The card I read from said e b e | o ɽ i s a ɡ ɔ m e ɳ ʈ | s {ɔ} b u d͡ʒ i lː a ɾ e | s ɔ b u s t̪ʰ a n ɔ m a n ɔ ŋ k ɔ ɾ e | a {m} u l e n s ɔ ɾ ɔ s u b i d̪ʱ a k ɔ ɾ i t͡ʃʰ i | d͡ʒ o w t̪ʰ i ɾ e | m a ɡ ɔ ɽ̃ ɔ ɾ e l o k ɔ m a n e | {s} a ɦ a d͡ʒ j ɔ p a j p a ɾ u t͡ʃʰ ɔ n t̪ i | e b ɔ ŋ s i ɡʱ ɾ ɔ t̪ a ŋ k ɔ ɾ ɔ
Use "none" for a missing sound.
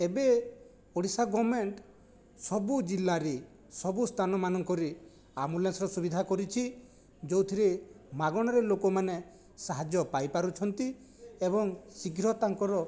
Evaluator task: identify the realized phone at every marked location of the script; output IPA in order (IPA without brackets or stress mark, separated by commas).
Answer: ɔ, m, s